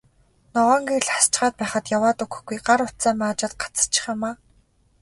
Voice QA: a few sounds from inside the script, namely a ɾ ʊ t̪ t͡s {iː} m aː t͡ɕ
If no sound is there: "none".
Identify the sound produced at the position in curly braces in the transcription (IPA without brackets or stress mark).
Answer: aː